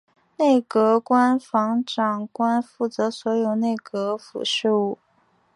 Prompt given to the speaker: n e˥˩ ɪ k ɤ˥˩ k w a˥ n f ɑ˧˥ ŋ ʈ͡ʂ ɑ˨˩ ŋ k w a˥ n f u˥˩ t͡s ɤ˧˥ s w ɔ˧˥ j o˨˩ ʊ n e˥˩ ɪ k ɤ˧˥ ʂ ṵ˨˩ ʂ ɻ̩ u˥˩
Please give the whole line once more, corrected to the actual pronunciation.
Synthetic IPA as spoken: n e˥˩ ɪ k ɤ˧˥ k w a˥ n f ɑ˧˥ ŋ ʈ͡ʂ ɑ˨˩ ŋ k w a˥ n f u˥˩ t͡s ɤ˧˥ s w ɔ˧˥ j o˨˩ ʊ n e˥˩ ɪ k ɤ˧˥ f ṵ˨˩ ʂ ɻ̩ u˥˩

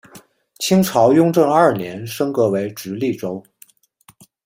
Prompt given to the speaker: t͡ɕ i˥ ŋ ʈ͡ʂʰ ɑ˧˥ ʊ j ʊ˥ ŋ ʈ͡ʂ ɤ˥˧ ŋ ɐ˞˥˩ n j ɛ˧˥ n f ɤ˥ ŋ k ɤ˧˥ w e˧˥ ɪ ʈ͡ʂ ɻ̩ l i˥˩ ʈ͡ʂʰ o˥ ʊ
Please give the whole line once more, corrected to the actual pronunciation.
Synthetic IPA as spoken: t͡ɕʰ i˥ ŋ ʈ͡ʂʰ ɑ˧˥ ʊ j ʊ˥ ŋ ʈ͡ʂ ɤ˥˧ ŋ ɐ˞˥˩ n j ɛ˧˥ n ʂ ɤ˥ ŋ k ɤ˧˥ w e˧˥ ɪ ʈ͡ʂ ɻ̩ l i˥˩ ʈ͡ʂ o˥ ʊ

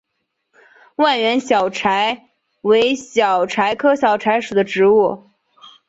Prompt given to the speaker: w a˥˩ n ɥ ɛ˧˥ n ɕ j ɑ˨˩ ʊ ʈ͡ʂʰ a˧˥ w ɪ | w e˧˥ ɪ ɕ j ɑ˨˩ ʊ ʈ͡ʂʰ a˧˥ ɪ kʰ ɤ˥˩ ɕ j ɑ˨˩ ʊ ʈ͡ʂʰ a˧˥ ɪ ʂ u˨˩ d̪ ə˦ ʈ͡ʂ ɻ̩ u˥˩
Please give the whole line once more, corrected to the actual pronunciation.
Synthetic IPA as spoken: w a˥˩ n ɥ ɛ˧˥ n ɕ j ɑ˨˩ ʊ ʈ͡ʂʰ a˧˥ ɪ | w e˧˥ ɪ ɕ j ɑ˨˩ ʊ ʈ͡ʂʰ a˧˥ ɪ kʰ ɤ˥ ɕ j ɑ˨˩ ʊ ʈ͡ʂʰ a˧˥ ɪ ʂ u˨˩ d̪ ə˦ ʈ͡ʂ ɻ̩ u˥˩

